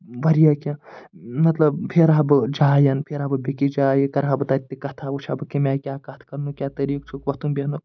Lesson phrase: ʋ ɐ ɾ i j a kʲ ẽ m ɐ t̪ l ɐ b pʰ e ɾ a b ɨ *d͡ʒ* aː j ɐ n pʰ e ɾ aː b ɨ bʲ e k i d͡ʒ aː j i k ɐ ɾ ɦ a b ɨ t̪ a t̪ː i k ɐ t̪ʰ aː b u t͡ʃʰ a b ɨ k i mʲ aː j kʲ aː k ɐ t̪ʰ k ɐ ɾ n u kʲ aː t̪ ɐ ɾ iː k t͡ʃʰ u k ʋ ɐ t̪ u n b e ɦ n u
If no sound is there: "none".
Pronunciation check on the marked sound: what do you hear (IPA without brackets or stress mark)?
d͡ʒ